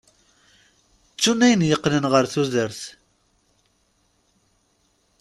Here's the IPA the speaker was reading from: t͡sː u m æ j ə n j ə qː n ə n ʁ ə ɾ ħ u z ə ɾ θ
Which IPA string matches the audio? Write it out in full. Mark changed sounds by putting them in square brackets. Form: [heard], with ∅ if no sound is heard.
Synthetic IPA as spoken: t͡sː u [n] æ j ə n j ə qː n ə n ʁ ə ɾ [θ] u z ə ɾ θ